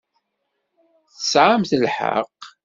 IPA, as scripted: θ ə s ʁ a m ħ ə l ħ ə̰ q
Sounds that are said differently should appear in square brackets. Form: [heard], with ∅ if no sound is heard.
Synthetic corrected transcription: θ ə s [ʕ] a m [θ] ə l ħ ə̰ q